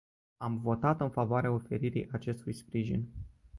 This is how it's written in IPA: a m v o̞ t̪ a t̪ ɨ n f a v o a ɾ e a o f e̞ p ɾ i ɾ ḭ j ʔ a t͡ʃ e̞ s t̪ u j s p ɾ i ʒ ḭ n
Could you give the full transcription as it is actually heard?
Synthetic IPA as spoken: a m v o̞ t̪ a t̪ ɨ n f a v o a ɾ e a o f e̞ ɾ i ɾ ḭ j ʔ a t͡ʃ e̞ s t̪ u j s p ɾ i ʒ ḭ n